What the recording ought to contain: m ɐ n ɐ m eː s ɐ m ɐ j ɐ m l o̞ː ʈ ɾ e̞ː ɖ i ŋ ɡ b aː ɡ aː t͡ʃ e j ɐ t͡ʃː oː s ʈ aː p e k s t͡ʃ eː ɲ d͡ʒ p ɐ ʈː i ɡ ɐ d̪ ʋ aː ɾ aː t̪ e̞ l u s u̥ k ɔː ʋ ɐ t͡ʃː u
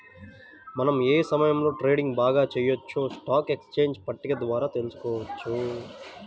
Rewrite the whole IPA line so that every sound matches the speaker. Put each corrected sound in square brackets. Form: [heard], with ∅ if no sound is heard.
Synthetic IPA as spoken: m ɐ n ɐ m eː s ɐ m ɐ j ɐ m l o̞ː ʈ ɾ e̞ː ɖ i ŋ ɡ b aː ɡ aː t͡ʃ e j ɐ t͡ʃː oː s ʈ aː [k] e k s t͡ʃ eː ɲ d͡ʒ p ɐ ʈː i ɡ ɐ d̪ ʋ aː ɾ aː t̪ e̞ l u s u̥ k ɔː ʋ ɐ t͡ʃː u